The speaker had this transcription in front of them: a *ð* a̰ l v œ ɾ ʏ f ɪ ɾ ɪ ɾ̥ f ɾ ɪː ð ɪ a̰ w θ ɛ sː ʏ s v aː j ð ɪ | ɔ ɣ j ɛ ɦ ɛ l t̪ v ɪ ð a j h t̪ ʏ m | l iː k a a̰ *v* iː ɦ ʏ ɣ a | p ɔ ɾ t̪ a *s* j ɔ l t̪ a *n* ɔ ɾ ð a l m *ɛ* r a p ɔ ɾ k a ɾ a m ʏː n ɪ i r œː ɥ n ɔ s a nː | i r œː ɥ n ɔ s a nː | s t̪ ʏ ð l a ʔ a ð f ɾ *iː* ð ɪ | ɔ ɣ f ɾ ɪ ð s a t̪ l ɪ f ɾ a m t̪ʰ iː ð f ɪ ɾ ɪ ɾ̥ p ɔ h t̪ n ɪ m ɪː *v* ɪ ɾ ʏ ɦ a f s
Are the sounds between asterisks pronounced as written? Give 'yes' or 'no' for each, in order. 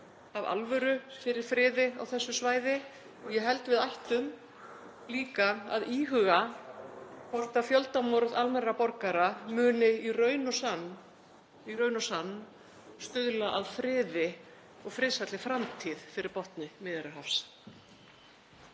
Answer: no, no, no, no, yes, no, no

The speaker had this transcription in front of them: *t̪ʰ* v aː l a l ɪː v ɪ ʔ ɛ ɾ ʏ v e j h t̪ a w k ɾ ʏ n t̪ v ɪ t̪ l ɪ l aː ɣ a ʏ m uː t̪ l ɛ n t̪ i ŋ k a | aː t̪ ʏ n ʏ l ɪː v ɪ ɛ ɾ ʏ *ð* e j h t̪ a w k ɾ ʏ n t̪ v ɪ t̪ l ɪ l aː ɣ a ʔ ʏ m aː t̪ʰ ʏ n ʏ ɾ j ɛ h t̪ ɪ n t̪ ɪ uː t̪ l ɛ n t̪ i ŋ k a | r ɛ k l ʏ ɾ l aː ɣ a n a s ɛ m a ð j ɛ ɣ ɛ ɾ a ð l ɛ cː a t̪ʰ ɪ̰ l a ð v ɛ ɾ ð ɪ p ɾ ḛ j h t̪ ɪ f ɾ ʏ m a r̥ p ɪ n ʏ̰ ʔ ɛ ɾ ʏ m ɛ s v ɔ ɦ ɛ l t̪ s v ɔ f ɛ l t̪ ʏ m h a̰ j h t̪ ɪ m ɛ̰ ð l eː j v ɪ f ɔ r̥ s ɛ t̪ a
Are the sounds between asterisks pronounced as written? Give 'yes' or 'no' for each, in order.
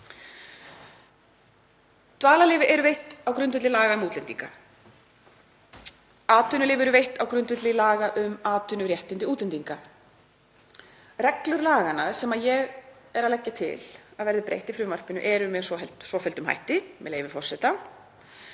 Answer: no, no

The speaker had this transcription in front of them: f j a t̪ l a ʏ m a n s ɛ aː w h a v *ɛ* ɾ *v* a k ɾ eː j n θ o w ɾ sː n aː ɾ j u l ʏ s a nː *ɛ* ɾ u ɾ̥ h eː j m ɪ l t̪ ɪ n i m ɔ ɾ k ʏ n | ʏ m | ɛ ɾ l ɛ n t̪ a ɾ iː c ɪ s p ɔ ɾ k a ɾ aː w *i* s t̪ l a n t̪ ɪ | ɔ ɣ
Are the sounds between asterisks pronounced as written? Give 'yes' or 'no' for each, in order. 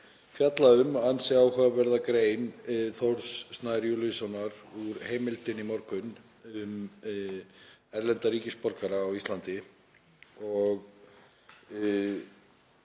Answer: yes, no, no, yes

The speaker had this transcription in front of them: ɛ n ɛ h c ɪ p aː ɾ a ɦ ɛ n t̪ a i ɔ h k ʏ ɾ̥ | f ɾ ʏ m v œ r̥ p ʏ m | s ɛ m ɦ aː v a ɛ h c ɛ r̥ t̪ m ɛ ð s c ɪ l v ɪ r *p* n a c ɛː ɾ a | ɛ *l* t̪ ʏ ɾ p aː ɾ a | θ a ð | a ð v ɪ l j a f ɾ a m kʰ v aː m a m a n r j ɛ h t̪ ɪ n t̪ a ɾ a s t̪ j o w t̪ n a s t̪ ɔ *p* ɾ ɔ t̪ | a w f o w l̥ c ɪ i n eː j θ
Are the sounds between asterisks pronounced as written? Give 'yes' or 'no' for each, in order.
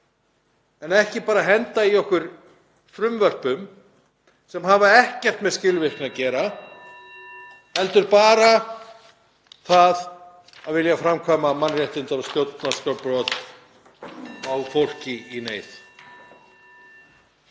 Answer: no, yes, yes

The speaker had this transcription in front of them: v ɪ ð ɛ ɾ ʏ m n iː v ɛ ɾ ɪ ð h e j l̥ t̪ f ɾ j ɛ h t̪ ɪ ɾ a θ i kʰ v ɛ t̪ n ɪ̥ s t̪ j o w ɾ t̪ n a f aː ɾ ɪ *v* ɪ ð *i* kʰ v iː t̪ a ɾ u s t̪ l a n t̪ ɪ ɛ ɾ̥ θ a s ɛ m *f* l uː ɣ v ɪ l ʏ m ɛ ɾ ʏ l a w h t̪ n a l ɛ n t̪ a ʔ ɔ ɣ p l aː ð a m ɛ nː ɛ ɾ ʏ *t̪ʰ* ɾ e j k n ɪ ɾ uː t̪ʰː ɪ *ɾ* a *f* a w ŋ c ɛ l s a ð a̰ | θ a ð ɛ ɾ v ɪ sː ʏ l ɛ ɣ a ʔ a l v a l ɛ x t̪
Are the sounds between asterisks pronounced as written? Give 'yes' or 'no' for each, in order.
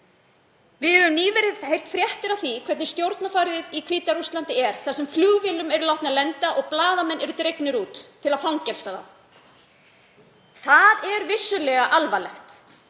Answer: no, yes, yes, no, no, yes

